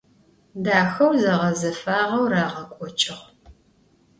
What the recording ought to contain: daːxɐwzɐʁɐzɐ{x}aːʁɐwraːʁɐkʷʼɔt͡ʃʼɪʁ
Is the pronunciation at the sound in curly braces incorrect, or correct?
incorrect